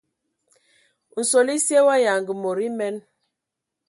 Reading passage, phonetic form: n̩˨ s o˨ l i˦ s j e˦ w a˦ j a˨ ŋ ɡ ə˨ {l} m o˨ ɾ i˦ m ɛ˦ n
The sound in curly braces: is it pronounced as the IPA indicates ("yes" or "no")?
no